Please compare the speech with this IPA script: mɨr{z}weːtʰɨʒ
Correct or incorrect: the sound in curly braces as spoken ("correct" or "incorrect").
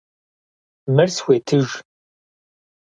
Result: incorrect